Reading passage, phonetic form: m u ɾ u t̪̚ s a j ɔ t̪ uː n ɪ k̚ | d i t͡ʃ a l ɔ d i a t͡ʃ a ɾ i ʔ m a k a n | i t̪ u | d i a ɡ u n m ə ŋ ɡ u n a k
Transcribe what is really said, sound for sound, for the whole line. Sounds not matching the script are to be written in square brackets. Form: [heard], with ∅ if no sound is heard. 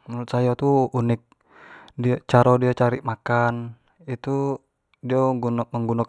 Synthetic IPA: m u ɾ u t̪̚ s a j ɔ t̪ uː n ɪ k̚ | d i t͡ʃ a [ɾ] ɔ d i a t͡ʃ a ɾ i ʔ m a k a n | i t̪ u | d i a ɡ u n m ə ŋ ɡ u n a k